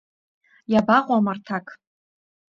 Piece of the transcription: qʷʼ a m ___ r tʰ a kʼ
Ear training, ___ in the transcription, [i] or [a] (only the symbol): a